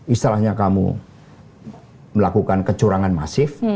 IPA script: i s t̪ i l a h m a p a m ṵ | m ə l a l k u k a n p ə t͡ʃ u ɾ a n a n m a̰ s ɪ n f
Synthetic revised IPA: i s t̪ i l a h ɲ a k a m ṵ | m ə l a k u k a n k ə t͡ʃ u ɾ a ŋ a n m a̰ s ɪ f